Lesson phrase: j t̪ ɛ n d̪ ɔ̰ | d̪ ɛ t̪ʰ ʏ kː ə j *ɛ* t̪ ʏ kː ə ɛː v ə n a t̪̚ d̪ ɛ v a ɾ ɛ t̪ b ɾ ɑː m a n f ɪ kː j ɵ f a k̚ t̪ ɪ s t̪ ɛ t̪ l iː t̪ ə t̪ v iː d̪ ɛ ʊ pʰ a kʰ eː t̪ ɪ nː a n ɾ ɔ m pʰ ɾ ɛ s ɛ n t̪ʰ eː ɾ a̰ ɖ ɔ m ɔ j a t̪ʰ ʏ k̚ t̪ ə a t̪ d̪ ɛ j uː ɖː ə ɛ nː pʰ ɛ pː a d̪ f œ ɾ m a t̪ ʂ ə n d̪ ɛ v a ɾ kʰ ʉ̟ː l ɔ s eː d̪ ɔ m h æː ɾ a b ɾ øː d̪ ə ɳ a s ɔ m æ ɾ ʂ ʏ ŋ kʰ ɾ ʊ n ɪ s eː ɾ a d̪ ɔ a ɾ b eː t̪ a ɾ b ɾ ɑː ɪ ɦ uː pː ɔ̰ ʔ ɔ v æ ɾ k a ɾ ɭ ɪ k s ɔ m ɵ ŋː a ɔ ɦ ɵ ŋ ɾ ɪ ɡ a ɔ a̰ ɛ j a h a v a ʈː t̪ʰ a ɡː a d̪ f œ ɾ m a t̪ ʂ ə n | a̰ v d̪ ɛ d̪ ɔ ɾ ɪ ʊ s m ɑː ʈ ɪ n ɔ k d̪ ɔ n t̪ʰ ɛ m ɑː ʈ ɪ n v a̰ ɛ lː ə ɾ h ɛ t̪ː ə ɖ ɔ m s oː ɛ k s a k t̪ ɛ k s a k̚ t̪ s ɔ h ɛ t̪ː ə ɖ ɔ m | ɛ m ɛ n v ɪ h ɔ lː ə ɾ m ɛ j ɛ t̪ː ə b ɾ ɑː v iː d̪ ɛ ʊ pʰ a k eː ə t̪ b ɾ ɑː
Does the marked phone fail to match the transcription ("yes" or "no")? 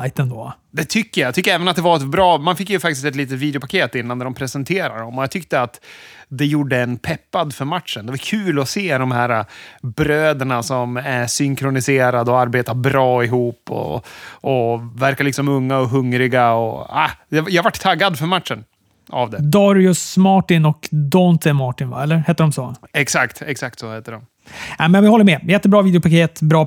yes